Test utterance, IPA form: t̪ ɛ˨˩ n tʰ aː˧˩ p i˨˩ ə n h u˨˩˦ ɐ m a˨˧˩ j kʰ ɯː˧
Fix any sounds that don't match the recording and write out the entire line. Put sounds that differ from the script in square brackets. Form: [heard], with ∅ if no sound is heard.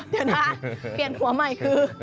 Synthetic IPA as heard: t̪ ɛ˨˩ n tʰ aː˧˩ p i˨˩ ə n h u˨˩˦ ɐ m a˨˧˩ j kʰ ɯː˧